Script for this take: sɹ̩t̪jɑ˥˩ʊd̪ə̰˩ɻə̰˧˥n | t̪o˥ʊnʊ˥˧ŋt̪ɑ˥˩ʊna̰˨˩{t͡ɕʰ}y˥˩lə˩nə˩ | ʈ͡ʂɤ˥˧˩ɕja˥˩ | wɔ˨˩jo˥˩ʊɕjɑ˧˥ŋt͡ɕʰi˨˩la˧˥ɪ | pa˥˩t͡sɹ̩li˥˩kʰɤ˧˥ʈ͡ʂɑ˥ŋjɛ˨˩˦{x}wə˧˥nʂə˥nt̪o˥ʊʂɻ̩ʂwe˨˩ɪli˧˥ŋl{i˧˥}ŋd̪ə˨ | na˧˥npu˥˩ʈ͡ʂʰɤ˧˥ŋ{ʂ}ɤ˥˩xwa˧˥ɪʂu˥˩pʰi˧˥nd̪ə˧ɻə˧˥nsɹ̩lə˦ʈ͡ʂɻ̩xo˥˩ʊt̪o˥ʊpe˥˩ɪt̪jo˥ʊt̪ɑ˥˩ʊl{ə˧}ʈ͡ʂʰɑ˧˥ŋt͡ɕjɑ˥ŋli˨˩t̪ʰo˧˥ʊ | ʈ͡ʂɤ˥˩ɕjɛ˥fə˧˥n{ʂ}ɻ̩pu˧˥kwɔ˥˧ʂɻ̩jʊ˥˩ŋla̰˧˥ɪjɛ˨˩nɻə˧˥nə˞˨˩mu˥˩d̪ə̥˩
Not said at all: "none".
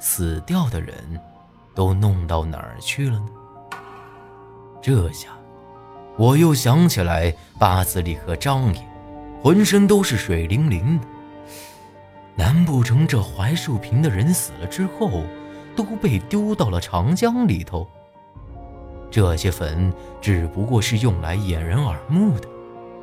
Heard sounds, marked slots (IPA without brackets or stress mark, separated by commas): t͡ɕʰ, x, i˧˥, ʈ͡ʂ, ə˩, ʈ͡ʂ